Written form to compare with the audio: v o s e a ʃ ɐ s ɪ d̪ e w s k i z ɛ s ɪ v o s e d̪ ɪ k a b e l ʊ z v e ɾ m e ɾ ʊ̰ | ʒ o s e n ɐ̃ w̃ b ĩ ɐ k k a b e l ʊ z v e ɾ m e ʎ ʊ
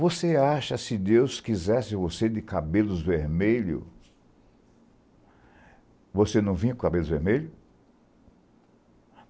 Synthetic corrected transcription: v o s e a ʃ ɐ s ɪ d̪ e w s k i z ɛ s ɪ v o s e d̪ ɪ k a b e l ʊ z v e ɾ m e ʎ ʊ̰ | v o s e n ɐ̃ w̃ v ĩ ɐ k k a b e l ʊ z v e ɾ m e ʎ ʊ